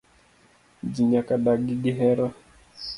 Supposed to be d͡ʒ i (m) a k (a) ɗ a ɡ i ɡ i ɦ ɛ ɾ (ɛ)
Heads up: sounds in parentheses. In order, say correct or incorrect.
incorrect: ɲ, correct, incorrect: a

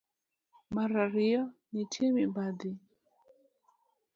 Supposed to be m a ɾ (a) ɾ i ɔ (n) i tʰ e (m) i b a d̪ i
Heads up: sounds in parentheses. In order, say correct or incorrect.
correct, correct, correct

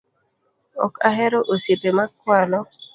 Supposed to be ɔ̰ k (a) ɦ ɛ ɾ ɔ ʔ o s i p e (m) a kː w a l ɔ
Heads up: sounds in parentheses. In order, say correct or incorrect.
correct, correct

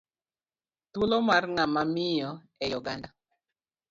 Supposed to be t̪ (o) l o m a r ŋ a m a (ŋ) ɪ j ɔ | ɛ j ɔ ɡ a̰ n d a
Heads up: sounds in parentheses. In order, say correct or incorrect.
incorrect: u, incorrect: m

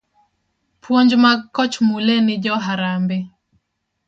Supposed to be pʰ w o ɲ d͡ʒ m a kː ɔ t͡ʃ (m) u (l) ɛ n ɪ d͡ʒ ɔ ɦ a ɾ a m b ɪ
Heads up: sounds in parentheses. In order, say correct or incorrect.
correct, correct

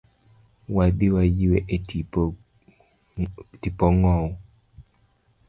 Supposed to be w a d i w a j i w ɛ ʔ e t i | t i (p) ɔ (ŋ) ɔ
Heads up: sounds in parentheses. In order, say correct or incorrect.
correct, correct

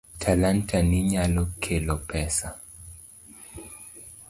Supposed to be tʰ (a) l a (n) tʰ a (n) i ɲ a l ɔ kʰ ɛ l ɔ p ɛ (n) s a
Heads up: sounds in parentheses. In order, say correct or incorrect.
correct, correct, correct, incorrect: none

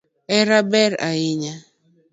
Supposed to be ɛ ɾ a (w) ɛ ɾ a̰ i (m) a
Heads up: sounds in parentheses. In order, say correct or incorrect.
incorrect: b, incorrect: ɲ

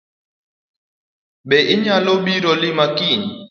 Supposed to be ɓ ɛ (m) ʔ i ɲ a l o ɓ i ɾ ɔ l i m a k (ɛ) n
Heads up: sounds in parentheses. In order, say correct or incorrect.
incorrect: none, incorrect: i

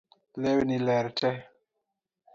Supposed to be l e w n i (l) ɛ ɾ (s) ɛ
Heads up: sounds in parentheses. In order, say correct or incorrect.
correct, incorrect: t

